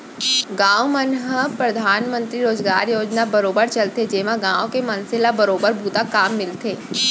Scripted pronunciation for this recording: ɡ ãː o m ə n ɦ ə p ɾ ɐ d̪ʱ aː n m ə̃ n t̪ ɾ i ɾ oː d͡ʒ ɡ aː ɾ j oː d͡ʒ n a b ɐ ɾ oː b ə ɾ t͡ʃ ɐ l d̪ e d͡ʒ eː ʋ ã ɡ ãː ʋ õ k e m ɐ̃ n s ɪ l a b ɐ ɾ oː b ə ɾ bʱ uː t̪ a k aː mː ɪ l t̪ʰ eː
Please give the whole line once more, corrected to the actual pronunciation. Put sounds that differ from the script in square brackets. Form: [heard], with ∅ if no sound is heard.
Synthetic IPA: ɡ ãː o m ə n ɦ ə p ɾ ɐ d̪ʱ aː n m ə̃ n t̪ ɾ i ɾ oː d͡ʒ ɡ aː ɾ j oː d͡ʒ n a b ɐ ɾ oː b ə ɾ t͡ʃ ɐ l [t̪] e d͡ʒ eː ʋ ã ɡ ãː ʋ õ k e m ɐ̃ n s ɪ l a b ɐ ɾ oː b ə ɾ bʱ uː t̪ a k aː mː ɪ l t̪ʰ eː